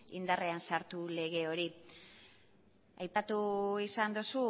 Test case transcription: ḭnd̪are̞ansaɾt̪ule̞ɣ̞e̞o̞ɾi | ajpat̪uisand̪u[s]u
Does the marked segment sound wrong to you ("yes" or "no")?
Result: no